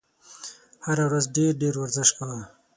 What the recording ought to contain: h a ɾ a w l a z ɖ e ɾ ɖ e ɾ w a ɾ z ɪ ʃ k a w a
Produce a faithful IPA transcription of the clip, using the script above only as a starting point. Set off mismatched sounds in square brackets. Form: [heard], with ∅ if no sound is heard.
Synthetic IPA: h a ɾ a w [ɾ] a z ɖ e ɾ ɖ e ɾ w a ɾ z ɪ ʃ k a w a

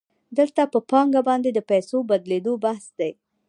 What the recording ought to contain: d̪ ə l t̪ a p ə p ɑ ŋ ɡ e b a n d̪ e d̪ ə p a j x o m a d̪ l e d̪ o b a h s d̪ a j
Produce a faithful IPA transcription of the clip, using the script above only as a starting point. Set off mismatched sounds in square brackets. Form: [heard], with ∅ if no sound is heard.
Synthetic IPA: d̪ ə l t̪ a p ə p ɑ ŋ ɡ [a] b [ɑ] n d̪ e d̪ ə p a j [s] o [b] a d̪ l e d̪ o b a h s d̪ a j

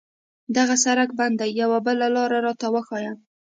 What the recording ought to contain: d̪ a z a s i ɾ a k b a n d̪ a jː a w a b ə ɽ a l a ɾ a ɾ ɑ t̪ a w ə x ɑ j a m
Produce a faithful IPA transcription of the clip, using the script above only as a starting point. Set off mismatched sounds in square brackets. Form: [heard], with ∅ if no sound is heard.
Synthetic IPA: d̪ a [ɣ] a s [a] ɾ a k b a n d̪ a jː a w a b ə [l] a l [ɑ] ɾ a ɾ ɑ t̪ a w ə x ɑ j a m

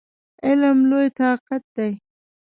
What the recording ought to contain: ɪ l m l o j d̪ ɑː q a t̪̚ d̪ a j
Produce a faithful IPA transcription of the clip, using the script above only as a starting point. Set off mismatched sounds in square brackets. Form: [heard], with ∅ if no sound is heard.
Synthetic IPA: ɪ l m l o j [t̪] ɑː q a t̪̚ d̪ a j

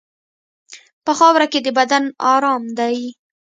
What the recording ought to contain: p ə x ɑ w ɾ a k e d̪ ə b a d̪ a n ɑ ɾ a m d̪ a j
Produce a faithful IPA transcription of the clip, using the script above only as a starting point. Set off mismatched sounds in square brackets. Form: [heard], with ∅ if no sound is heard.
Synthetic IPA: p ə x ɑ w ɾ a k e d̪ ə b a d̪ a n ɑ ɾ [ɑ] m d̪ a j

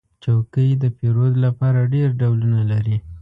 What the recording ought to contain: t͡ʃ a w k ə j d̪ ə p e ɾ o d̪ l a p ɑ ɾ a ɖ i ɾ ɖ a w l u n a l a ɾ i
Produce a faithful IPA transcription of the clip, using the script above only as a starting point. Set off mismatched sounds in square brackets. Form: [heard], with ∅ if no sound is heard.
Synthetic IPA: t͡ʃ a w k ə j d̪ ə p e ɾ o d̪ l a p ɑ ɾ a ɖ [e] ɾ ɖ a w l u n a l a ɾ i

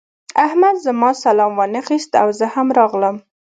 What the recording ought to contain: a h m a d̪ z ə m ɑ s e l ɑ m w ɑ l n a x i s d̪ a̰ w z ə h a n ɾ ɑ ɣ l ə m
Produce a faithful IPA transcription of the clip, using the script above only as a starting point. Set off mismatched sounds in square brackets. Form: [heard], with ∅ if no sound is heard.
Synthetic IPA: a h m a d̪ z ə m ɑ s [a] l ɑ m w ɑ [∅] n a x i s [t̪] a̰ w z ə h a [m] ɾ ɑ ɣ l ə m

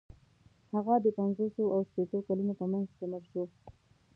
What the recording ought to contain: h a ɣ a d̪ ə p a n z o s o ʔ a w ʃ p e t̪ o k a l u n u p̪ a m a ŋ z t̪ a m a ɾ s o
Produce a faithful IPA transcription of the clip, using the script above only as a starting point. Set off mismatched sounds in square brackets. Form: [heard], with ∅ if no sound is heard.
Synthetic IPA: h a ɣ a d̪ ə p a n z o s o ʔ a w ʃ p e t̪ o k a l u n [o] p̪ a m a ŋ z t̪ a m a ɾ [ʃ] o

